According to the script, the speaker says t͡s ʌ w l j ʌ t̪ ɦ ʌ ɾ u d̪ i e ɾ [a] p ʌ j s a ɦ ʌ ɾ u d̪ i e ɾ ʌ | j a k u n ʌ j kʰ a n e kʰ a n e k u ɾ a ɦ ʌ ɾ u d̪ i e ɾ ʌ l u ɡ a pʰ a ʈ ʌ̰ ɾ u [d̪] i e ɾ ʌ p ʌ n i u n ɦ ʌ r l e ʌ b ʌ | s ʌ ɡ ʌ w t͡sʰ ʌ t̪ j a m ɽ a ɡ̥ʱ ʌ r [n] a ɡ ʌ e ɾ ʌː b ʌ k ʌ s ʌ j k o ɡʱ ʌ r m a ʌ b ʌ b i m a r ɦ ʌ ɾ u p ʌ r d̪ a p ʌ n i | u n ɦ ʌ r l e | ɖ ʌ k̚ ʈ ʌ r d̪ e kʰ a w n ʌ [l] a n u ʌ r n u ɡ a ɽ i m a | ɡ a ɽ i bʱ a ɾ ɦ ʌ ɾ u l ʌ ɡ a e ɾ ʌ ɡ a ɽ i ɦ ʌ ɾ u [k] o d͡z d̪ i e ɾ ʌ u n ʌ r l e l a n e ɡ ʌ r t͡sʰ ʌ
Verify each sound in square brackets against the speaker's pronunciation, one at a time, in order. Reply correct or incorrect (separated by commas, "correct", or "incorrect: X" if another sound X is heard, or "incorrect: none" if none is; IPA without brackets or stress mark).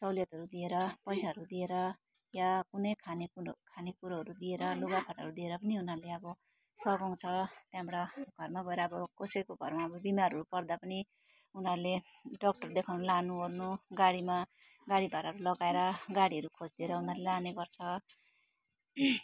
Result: incorrect: ʌ, correct, incorrect: m, correct, incorrect: kʰ